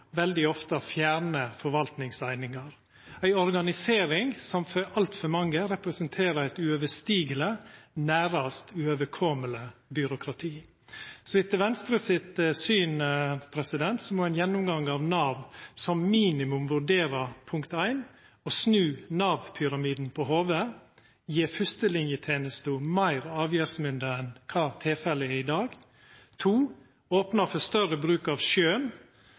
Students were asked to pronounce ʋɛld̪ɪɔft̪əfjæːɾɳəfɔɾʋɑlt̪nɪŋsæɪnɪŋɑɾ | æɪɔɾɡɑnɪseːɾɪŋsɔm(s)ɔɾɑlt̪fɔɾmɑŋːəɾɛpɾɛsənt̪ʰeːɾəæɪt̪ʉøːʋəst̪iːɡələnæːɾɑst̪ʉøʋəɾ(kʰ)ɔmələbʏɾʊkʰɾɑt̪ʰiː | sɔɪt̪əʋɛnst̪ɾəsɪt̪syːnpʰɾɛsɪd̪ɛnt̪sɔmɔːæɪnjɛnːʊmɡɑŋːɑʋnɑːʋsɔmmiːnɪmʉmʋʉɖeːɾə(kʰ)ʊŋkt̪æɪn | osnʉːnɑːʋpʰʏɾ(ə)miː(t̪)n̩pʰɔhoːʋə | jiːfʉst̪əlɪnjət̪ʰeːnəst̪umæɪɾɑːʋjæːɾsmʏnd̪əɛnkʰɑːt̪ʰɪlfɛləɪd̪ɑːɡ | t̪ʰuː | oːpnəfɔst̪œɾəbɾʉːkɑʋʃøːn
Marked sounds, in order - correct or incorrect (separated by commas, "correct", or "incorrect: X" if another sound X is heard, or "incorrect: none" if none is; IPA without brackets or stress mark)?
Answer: incorrect: f, correct, incorrect: pʰ, incorrect: ɑ, incorrect: d̪